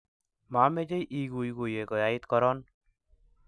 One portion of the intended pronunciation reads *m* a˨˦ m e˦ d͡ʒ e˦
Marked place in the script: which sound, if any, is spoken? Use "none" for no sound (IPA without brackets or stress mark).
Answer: m